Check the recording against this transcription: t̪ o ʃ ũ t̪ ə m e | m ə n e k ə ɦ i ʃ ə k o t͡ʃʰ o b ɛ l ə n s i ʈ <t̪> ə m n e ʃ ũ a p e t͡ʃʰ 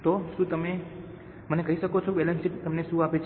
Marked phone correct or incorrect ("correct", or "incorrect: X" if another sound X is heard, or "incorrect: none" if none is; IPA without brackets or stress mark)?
correct